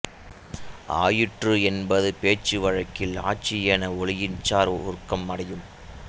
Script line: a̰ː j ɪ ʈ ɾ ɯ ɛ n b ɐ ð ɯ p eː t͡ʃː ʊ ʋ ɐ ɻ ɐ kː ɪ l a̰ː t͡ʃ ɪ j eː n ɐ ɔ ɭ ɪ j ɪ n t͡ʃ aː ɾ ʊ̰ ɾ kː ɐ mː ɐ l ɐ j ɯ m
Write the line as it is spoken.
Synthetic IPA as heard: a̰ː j ɪ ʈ r ɯ ɛ n b ɐ ð ɯ p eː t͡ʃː ɯ ʋ ɐ ɻ ɐ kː ɪ l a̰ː t͡ʃ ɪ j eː n ɐ ɔ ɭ ɪ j ɪ n t͡ʃ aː ɾ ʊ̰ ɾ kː ɐ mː ɐ ɽ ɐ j ɯ m